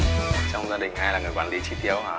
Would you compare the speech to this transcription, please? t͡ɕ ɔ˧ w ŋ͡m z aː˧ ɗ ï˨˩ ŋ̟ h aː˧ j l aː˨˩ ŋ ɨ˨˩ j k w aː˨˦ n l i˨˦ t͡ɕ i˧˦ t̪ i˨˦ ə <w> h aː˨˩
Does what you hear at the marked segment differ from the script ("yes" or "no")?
no